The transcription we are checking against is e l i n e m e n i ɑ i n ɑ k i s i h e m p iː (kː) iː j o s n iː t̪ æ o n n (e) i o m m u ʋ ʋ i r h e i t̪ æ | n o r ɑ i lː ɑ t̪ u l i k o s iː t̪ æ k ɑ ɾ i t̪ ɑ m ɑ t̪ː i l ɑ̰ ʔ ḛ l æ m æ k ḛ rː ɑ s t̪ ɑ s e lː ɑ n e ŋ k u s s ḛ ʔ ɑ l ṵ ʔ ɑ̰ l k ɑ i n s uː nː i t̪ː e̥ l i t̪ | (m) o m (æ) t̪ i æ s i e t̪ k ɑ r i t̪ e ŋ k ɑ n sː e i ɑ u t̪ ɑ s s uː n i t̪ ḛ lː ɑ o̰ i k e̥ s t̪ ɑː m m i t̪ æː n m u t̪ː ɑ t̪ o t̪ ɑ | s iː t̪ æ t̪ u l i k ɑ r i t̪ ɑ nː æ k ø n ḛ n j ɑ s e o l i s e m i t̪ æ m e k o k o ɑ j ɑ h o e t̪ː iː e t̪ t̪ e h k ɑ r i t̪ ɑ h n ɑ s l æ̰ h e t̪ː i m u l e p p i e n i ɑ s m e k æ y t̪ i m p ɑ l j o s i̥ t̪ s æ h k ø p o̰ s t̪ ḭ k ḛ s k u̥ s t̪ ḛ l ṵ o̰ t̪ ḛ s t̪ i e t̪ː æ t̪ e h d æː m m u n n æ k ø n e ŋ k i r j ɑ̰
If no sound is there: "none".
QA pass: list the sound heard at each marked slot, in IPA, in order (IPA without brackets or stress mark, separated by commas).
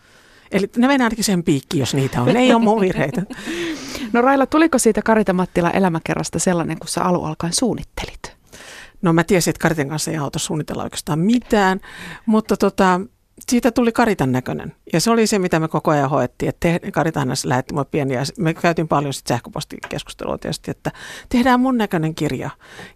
kː, e, n, æ